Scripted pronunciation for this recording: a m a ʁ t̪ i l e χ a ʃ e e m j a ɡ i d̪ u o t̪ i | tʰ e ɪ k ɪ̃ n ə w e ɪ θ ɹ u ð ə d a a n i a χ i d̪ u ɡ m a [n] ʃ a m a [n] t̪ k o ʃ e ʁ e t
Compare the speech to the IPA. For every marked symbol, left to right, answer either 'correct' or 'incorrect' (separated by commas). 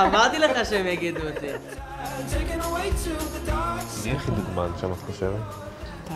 correct, incorrect